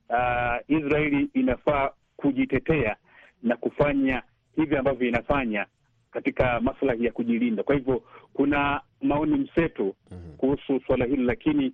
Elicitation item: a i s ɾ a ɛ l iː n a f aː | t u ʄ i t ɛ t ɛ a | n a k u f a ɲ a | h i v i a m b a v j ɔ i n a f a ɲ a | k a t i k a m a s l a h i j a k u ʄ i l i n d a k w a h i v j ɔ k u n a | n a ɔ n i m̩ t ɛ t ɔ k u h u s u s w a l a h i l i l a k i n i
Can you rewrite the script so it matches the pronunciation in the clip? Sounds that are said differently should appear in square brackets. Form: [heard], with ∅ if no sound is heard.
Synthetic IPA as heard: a i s ɾ a ɛ l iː n a f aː | [k] u ʄ i t ɛ t ɛ a | n a k u f a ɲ a | h i v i a m b a v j ɔ i n a f a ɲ a | k a t i k a m a s l a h i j a k u ʄ i l i n d a k w a h i v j ɔ k u n a | [m] a ɔ n i m̩ [s] ɛ t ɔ k u h u s u s w a l a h i l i l a k i n i